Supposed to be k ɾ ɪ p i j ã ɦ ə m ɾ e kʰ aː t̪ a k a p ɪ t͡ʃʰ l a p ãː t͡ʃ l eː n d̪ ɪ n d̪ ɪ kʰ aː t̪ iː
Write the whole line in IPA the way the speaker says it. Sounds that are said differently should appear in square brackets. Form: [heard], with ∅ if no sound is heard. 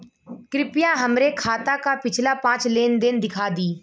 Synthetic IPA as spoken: k ɾ ɪ p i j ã ɦ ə m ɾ e kʰ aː t̪ a k a p ɪ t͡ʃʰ l a p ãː t͡ʃ l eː n d̪ ɪ n d̪ ɪ kʰ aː [d̪] iː